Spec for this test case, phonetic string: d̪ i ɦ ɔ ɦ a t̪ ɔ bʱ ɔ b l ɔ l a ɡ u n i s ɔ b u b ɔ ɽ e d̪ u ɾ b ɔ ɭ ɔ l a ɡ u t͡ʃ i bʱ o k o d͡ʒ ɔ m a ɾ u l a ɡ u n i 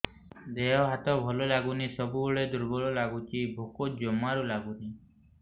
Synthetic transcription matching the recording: d̪ e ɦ ɔ ɦ a t̪ ɔ bʱ ɔ l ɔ l a ɡ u n i s ɔ b u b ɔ ɭ e d̪ u ɾ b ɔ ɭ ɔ l a ɡ u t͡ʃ i bʱ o k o d͡ʒ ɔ m a ɾ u l a ɡ u n i